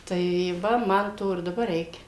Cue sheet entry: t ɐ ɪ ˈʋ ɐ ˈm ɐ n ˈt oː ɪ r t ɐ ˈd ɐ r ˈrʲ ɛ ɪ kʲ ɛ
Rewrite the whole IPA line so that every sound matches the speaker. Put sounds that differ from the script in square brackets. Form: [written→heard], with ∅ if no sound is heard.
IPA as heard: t ɐ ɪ ˈʋ ɐ ˈm ɐ n ˈt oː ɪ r [t→d] ɐ [ˈd→ˈb] ɐ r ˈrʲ ɛ ɪ kʲ ɛ